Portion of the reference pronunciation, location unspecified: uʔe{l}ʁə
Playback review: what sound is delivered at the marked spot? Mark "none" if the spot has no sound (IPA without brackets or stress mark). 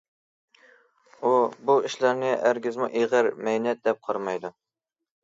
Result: none